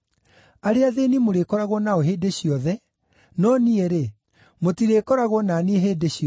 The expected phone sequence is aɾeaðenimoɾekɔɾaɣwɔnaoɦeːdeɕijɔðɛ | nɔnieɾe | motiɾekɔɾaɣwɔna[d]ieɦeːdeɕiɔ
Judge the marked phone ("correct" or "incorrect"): incorrect